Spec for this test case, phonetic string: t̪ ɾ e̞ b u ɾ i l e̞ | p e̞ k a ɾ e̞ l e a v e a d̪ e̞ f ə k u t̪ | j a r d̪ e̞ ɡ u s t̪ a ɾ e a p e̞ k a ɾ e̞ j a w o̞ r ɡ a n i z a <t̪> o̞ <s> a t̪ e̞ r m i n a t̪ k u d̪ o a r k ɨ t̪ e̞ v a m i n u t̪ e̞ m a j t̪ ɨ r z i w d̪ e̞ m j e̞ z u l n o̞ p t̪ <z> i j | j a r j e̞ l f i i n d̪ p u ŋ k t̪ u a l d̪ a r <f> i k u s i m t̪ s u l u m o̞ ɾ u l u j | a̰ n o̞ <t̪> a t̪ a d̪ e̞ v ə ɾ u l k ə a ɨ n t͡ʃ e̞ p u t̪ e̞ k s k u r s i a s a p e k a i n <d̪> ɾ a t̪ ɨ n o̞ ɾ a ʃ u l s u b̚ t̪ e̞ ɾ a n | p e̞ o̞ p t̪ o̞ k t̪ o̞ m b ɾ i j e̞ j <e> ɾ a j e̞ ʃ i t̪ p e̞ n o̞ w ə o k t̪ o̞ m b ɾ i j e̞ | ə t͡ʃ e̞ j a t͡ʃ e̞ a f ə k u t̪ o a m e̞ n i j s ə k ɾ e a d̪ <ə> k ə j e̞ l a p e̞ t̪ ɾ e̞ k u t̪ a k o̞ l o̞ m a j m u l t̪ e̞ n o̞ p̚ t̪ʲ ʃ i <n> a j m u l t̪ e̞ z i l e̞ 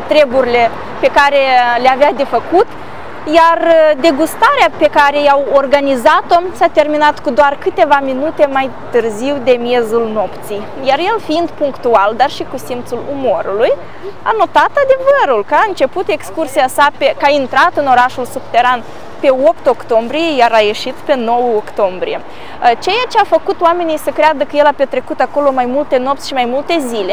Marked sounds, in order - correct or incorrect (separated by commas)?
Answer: correct, correct, incorrect, incorrect, correct, incorrect, incorrect, correct, incorrect